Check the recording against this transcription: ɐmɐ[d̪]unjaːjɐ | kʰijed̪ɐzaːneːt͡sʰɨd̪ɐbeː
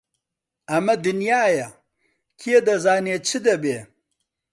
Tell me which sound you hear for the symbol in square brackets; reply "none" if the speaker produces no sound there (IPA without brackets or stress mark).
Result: d̪